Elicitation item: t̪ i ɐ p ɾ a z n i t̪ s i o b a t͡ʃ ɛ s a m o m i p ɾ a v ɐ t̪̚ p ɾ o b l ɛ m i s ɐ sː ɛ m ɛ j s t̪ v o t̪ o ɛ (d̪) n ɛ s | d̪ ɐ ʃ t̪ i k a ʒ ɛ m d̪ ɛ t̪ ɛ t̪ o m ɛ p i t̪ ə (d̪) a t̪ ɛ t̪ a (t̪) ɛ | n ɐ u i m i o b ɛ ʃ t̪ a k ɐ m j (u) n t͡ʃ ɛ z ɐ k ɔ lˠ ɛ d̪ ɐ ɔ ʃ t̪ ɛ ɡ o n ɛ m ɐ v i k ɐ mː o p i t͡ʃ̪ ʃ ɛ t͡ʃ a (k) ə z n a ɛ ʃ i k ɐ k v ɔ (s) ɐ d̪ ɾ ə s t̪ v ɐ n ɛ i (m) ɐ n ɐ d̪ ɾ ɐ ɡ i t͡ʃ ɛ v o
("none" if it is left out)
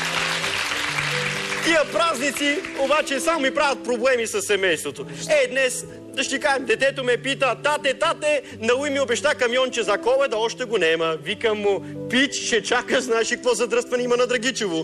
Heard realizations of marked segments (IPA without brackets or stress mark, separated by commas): d̪, t̪, t̪, ɔ, k, z, m